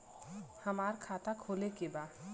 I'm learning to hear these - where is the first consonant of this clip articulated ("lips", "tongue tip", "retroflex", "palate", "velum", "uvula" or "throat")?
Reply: throat